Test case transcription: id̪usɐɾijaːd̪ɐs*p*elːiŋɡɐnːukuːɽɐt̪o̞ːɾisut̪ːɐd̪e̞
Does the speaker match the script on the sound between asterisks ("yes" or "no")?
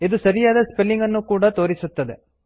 yes